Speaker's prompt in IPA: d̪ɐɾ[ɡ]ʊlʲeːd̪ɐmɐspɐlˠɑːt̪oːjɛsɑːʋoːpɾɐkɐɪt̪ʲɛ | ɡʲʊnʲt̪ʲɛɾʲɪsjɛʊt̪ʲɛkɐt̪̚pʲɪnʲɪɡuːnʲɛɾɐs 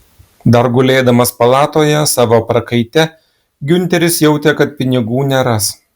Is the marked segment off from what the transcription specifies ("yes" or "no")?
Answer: no